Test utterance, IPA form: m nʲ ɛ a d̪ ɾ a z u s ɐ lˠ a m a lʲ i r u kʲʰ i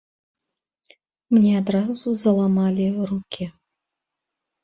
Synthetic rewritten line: m nʲ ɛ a d̪ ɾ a z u z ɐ lˠ a m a lʲ i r u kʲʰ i